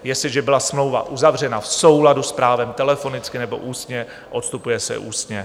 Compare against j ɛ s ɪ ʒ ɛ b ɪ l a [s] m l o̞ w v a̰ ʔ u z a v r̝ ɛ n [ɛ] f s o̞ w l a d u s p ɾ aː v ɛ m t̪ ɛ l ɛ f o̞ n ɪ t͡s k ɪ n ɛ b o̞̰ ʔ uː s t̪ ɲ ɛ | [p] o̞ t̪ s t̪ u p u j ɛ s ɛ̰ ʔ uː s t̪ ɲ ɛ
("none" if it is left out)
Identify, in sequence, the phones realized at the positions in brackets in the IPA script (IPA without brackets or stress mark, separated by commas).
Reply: s, a, ʔ